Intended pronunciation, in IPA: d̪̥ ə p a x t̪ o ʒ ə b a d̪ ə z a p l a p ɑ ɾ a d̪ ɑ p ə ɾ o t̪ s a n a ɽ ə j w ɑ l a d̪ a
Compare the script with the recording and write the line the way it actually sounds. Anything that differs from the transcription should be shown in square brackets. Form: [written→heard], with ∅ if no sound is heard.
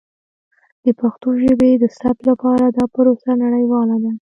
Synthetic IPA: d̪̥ ə p a x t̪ o ʒ ə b [a→e] d̪ ə [z→s] a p l a p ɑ ɾ a d̪ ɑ p ə ɾ o [t̪→∅] s a n a ɽ ə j w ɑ l a d̪ a